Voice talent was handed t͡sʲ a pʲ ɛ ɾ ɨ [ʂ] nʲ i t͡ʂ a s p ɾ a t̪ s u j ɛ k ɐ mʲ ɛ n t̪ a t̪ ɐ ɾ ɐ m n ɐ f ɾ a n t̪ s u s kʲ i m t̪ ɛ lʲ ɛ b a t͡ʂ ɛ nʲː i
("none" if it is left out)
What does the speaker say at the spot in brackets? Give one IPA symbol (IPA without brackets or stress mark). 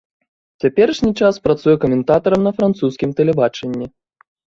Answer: ʂ